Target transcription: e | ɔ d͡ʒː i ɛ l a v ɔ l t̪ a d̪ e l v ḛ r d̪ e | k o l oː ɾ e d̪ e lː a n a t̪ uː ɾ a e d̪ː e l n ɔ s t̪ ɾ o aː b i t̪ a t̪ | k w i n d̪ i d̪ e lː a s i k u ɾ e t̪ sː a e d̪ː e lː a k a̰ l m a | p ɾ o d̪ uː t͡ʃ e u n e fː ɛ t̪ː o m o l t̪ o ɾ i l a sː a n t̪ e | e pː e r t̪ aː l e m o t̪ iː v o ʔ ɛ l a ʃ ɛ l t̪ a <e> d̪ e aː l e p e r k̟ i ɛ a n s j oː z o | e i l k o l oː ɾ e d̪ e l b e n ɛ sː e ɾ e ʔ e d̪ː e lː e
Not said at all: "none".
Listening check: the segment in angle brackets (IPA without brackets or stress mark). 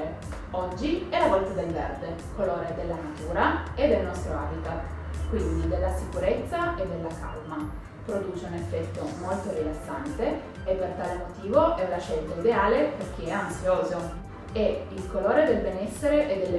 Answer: i